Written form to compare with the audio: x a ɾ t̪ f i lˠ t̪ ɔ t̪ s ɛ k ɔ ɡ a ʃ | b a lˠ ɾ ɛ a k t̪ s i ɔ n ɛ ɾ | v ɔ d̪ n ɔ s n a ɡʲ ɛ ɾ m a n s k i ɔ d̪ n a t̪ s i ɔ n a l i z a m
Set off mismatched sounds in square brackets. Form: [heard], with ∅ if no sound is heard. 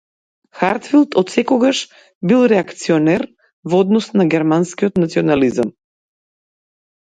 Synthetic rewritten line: x a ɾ t̪ f i lˠ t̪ ɔ t̪ s ɛ k ɔ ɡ a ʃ | b [i] lˠ ɾ ɛ a k t̪ s i ɔ n ɛ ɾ | v ɔ d̪ n ɔ s n a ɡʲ ɛ ɾ m a n s k i ɔ [t̪] n a t̪ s i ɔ n a l i z a m